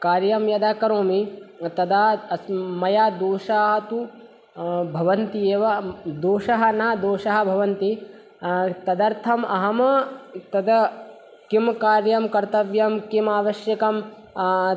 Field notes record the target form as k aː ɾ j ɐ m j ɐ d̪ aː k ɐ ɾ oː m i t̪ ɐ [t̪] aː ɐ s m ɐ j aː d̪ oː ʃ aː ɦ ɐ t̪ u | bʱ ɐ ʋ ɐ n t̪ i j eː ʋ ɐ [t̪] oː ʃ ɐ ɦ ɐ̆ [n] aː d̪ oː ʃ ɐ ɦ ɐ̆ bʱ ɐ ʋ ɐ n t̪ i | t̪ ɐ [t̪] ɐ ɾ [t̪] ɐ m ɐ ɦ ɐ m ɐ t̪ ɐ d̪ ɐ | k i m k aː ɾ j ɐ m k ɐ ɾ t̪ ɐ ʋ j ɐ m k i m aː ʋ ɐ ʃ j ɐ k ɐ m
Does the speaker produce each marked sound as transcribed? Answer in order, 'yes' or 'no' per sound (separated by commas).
no, no, yes, no, no